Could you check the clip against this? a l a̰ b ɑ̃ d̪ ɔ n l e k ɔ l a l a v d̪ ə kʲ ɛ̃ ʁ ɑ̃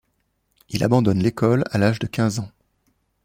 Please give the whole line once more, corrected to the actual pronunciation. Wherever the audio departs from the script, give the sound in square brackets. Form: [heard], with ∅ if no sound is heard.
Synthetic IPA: [i] l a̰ b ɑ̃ d̪ ɔ n l e k ɔ l a l a [ʒ] d̪ ə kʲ ɛ̃ [z] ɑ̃